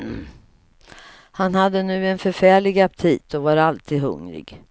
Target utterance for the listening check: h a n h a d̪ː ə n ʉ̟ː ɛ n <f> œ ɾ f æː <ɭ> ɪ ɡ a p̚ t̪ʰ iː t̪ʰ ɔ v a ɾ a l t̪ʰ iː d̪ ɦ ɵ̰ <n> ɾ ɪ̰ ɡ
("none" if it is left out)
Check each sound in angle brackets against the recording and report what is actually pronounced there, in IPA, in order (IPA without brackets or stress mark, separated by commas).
f, ɭ, ŋ